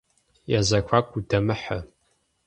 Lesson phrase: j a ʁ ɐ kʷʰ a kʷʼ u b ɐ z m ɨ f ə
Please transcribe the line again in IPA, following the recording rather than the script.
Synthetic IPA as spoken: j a z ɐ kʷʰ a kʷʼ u d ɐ m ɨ ħ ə

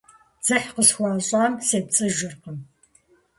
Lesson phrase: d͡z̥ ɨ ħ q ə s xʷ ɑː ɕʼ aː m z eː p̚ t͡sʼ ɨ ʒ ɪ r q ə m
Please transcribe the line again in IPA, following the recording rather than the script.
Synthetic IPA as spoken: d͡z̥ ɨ ħ q ə s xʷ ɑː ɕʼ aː m s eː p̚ t͡sʼ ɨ ʒ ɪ r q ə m

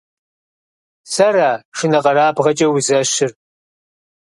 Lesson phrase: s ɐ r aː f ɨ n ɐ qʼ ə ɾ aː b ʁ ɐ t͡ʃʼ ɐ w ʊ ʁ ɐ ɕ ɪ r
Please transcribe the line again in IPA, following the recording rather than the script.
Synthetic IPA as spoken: s ɐ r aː ʂ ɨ n ɐ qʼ ɐ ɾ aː b ʁ ɐ t͡ʃʼ ɐ w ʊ z ɐ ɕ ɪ r

